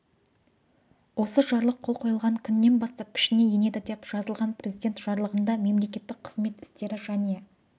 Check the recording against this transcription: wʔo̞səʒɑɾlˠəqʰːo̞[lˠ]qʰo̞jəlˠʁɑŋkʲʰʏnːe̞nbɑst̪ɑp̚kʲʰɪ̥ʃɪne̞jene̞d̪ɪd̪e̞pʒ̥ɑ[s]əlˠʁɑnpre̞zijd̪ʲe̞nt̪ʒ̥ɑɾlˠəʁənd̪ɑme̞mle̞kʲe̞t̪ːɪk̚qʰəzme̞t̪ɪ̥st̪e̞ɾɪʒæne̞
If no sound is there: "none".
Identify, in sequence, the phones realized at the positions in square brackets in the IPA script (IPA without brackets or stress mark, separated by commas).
lˠ, z